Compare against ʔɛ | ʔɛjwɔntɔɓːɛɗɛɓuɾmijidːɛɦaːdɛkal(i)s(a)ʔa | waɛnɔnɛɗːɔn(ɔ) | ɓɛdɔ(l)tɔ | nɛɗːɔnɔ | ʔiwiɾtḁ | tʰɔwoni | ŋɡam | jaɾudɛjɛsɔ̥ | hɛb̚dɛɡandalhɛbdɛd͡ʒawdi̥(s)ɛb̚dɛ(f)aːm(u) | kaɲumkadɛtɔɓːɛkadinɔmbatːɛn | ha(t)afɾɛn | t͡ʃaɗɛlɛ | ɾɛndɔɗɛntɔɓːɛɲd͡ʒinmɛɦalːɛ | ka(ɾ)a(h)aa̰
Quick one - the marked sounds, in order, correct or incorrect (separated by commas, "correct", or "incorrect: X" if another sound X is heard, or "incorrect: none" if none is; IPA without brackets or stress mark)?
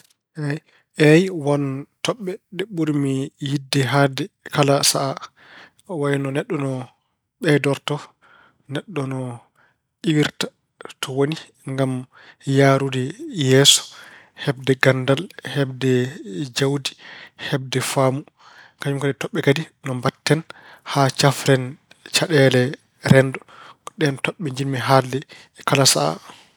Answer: incorrect: a, correct, correct, incorrect: ɾ, incorrect: h, correct, correct, incorrect: t͡ʃ, incorrect: l, incorrect: s